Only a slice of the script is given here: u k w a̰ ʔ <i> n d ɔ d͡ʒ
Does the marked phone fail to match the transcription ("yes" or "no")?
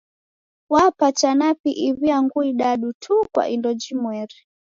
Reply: no